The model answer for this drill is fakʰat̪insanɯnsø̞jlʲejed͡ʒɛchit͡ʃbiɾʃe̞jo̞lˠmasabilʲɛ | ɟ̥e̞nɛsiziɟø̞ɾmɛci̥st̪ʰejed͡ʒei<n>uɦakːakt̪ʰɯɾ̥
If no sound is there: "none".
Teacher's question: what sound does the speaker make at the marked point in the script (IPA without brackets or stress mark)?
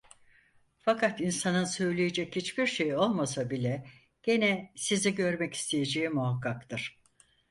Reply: m